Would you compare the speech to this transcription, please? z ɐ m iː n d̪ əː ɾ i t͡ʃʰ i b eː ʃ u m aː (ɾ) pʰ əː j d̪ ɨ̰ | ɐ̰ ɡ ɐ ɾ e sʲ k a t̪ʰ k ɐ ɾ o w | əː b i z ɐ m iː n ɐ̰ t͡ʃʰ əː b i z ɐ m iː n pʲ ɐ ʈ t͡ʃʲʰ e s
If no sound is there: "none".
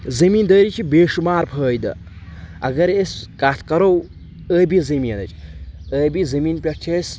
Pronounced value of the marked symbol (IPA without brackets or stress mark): ɾ